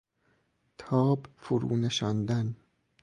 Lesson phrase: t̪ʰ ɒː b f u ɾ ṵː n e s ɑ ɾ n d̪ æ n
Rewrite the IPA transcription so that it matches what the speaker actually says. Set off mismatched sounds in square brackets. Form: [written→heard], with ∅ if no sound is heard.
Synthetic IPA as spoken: t̪ʰ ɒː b f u ɾ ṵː n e [s→ʃ] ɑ [ɾ→∅] n d̪ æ n